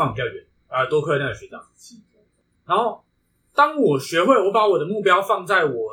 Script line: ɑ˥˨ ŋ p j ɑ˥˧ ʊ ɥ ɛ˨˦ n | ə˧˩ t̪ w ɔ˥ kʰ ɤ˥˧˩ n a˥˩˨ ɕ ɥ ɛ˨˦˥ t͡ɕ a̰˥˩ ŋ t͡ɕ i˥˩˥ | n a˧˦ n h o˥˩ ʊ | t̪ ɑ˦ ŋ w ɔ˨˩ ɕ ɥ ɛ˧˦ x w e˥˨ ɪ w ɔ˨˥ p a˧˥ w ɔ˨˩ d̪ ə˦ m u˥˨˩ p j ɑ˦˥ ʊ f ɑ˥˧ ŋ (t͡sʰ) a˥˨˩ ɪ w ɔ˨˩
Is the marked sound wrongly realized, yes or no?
yes